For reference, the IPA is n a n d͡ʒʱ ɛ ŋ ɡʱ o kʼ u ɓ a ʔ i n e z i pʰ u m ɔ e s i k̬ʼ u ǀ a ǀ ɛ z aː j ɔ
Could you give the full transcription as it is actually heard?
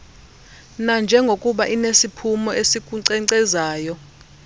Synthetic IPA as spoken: n a n d͡ʒʱ ɛ ŋ ɡʱ o kʼ u ɓ a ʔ i n e s i pʰ u m ɔ e s i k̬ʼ u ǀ ɛ ǀ ɛ z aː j ɔ